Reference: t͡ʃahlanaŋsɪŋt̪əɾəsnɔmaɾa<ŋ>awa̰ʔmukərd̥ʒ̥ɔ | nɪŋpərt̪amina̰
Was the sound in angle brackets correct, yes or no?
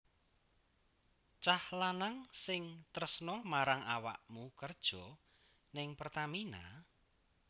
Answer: yes